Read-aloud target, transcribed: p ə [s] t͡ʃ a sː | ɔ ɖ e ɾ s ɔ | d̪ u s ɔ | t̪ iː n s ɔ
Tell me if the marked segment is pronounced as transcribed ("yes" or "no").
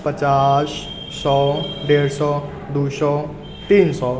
no